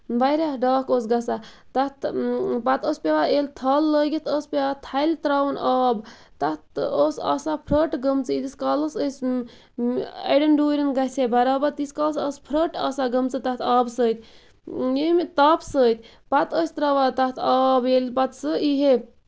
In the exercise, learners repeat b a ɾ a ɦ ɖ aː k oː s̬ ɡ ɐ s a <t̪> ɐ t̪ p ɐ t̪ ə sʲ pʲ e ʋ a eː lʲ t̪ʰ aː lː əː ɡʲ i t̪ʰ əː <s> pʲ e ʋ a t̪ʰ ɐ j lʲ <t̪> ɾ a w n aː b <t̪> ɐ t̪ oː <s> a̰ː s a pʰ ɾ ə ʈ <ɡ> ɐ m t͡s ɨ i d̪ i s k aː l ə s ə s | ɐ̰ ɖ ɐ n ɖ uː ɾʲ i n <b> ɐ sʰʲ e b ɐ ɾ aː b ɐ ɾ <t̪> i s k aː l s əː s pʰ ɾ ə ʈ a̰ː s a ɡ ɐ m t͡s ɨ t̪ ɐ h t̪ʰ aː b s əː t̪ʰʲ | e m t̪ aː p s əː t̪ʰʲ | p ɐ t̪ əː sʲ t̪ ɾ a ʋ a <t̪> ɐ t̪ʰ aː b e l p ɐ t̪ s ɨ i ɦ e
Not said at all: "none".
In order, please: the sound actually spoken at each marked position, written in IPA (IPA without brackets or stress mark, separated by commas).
t̪, s, t̪, t̪, s, ɡ, ɡ, t̪, t̪